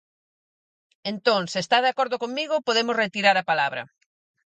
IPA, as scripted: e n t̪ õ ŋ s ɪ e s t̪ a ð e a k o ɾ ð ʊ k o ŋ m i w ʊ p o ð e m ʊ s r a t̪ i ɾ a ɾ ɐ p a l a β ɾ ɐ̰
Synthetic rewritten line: e n t̪ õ ŋ s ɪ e s t̪ a ð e a k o ɾ ð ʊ k o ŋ m i ɣ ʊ p o ð e m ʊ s r e t̪ i ɾ a ɾ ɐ p a l a β ɾ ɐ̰

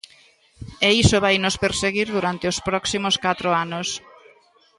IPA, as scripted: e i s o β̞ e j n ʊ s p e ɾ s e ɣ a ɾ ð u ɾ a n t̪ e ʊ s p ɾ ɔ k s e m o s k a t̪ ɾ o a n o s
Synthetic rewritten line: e i s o β̞ a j n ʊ s p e ɾ s e ɣ i ɾ ð u ɾ a n t̪ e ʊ s p ɾ ɔ k s i m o s k a t̪ ɾ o a n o s

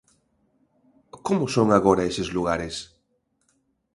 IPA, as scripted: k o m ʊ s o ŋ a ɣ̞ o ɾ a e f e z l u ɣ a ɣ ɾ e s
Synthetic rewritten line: k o m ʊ s o ŋ a ɣ̞ o ɾ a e s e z l u ɣ a ɾ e s

